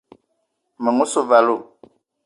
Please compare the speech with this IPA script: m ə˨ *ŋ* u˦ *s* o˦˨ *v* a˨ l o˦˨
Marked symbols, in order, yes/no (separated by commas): yes, yes, yes